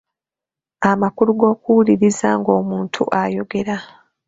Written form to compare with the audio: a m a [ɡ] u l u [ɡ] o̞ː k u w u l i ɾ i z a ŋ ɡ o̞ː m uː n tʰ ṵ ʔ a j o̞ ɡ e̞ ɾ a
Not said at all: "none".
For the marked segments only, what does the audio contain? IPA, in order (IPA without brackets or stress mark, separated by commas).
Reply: k, ɡ